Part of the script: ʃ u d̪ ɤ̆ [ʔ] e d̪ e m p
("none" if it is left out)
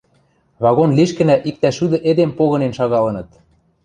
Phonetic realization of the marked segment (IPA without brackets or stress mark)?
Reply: ʔ